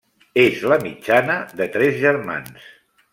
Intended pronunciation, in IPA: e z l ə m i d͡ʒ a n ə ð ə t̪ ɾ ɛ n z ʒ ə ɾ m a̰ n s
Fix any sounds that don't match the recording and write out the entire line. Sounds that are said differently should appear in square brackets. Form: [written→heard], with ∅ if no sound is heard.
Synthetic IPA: e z l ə m i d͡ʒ a n ə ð ə t̪ ɾ ɛ [n→∅] z ʒ ə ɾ m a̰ n s